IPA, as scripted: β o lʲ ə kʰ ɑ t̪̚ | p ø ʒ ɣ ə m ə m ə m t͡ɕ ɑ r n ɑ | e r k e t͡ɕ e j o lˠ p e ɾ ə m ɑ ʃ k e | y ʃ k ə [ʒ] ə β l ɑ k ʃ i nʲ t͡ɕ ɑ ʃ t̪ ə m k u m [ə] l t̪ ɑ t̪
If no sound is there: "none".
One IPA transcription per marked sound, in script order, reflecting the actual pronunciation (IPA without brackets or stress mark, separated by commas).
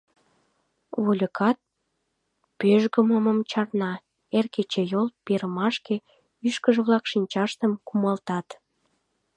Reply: ʒ, ɑ